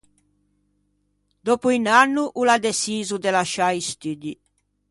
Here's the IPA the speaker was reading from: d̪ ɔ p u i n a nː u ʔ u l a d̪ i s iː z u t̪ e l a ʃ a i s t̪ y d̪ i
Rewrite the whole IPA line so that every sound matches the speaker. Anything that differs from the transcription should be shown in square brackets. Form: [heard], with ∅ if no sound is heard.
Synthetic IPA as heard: d̪ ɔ p u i n a nː u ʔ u l a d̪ [e] s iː z u [d̪] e l a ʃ a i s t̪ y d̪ i